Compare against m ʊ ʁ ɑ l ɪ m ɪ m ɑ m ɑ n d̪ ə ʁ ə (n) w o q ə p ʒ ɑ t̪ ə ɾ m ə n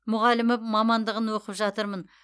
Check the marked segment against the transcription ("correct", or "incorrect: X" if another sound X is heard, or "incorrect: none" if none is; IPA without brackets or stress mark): correct